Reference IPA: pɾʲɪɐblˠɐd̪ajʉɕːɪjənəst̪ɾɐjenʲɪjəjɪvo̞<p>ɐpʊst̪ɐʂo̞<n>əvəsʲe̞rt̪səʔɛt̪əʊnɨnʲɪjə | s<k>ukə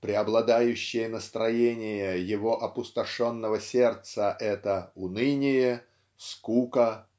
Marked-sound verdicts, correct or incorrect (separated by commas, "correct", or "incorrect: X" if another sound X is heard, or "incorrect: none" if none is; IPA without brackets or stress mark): incorrect: ʔ, incorrect: nː, correct